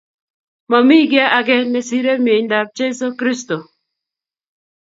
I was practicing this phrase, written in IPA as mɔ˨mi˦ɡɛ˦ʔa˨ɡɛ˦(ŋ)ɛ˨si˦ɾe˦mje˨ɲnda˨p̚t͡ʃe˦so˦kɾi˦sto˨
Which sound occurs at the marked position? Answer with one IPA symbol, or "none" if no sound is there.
n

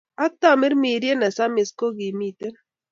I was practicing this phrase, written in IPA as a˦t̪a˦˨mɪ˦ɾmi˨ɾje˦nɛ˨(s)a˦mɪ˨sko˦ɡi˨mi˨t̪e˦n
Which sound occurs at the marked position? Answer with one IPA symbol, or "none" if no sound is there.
s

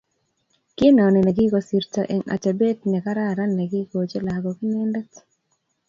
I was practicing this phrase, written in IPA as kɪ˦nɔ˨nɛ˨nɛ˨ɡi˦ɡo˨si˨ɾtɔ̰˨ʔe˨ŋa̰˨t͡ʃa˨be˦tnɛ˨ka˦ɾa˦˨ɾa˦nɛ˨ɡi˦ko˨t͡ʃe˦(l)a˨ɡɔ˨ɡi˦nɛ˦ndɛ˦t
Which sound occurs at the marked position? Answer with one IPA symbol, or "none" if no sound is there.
l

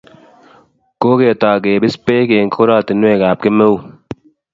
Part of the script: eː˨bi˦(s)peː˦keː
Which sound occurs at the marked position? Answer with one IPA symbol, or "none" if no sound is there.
s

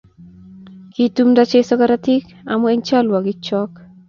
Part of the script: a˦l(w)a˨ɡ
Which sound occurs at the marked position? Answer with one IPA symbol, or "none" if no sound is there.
w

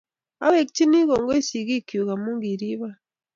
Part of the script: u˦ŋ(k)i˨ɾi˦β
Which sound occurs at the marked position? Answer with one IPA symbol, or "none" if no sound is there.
ɡ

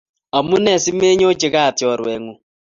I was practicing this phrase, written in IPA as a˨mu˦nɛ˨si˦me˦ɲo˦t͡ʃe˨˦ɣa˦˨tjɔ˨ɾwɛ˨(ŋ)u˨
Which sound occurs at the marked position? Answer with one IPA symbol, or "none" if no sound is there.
ŋ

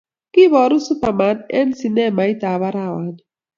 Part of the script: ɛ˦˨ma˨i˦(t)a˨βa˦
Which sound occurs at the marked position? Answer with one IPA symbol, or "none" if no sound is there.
t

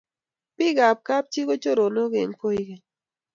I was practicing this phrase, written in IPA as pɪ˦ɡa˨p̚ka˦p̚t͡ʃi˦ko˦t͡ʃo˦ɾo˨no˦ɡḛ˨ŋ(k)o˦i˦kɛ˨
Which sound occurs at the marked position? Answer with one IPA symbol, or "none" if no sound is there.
p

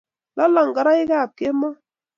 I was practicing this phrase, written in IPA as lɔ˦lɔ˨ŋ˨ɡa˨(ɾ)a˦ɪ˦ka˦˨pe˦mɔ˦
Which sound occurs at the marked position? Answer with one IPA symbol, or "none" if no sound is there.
ɾ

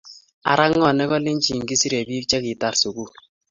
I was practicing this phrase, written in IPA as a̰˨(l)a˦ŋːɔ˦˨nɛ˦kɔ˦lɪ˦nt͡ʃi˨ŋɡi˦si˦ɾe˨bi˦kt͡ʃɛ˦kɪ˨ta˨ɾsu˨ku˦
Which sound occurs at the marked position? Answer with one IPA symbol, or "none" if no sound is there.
ɾ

